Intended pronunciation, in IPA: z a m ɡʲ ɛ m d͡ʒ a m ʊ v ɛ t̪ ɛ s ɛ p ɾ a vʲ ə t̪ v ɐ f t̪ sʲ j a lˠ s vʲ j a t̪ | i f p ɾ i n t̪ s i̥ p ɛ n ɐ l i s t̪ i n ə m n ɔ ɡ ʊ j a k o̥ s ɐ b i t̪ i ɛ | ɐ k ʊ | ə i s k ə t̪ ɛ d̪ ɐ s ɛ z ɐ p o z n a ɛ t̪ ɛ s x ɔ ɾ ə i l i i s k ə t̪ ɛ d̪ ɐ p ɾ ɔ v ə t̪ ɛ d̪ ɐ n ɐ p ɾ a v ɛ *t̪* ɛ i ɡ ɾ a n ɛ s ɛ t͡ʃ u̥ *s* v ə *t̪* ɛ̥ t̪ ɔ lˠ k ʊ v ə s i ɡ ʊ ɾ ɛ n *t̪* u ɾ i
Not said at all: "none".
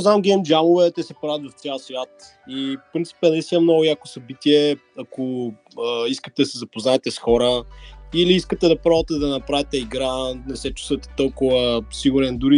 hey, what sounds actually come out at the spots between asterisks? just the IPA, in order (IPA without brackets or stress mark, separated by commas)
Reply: t̪, s, t̪, d̪